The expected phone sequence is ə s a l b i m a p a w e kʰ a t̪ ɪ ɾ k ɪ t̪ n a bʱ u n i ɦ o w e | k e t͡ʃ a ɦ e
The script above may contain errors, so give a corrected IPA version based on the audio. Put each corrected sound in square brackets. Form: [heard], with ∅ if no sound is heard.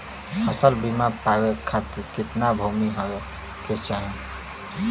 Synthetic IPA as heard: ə s [ə] l b i m a p a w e kʰ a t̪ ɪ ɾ k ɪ t̪ n a bʱ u [m] i ɦ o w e | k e t͡ʃ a ɦ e